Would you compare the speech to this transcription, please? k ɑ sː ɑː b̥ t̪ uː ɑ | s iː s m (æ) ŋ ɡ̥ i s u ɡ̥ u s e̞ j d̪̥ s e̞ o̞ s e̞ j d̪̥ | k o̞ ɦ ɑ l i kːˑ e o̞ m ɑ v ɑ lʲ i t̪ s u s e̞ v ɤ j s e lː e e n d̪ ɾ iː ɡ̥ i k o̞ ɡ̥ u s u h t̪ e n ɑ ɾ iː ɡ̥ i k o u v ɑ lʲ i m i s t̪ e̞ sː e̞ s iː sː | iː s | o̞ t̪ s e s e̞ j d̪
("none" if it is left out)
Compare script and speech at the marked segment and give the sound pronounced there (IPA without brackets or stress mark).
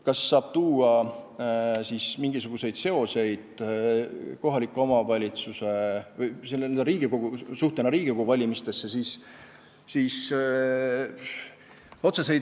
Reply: i